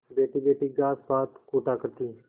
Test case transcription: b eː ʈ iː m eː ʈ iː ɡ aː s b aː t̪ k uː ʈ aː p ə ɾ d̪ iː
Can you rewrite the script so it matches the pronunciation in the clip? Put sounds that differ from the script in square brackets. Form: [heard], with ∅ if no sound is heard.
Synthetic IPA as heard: b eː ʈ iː [b] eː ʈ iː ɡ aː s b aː t̪ k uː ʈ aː [k] ə ɾ [t̪] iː